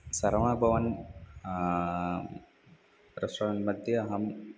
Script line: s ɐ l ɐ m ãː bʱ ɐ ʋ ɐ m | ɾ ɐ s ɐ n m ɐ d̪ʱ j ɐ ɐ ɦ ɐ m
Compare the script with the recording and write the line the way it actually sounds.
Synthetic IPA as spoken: s ɐ ɾ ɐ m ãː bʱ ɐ ʋ ɐ n | ɾ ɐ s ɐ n m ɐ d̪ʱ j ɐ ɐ ɦ ɐ m